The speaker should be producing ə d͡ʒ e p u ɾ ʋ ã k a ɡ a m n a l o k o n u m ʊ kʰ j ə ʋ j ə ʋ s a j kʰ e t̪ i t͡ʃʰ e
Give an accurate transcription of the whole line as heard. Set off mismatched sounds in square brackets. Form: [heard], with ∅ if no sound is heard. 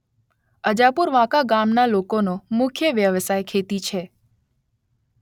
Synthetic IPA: ə d͡ʒ [a] p u ɾ ʋ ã k a ɡ a m n a l o k o n [o] m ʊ kʰ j ə ʋ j ə ʋ s a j kʰ e t̪ i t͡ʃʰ e